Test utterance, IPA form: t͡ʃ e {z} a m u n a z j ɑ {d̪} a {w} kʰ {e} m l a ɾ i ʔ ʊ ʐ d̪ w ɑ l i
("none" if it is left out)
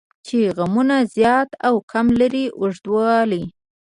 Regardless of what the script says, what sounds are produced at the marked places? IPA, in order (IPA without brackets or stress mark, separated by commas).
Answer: ɣ, t̪, w, a